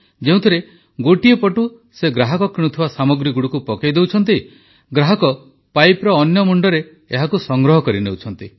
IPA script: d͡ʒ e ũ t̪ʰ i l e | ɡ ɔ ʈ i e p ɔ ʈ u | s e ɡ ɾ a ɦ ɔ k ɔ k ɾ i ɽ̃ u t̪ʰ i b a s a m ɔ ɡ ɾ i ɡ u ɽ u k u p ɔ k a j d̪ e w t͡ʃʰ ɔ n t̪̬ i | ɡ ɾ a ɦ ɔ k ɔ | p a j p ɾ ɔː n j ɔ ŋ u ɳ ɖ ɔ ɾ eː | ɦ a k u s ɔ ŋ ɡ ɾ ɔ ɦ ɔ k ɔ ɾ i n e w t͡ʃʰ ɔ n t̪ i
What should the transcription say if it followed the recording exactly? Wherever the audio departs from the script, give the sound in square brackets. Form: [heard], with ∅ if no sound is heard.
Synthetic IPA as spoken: d͡ʒ e ũ t̪ʰ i [ɾ] e | ɡ [o] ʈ i e p ɔ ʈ u | s e ɡ ɾ a ɦ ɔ k ɔ k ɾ i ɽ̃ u t̪ʰ i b a s a m ɔ ɡ ɾ i ɡ u ɽ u k u p ɔ k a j d̪ e w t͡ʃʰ ɔ n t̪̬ i | ɡ ɾ a ɦ ɔ k ɔ | p a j p ɾ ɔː n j ɔ [m] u ɳ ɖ ɔ ɾ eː | ɦ a k u s ɔ ŋ ɡ ɾ ɔ ɦ ɔ k ɔ ɾ i n e w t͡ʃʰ ɔ n t̪ i